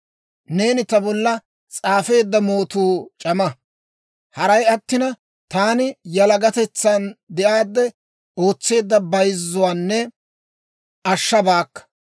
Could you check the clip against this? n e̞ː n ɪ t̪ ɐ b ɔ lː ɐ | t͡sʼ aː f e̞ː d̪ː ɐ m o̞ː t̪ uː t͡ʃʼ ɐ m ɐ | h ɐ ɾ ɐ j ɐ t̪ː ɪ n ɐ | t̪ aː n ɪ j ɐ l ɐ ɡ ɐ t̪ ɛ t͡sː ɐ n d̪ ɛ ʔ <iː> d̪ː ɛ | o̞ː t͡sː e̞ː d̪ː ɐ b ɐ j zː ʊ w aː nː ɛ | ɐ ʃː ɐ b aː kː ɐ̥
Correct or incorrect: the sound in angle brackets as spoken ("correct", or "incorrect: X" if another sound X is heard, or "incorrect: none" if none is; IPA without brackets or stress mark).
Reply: incorrect: aː